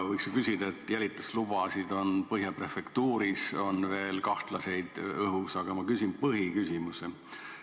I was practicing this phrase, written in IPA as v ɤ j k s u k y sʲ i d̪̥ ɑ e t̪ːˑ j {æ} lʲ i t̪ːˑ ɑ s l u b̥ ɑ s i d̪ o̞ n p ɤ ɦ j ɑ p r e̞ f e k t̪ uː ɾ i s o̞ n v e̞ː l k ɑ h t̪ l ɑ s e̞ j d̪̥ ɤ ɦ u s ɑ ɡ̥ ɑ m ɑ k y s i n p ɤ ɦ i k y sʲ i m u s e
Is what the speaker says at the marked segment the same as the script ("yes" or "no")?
yes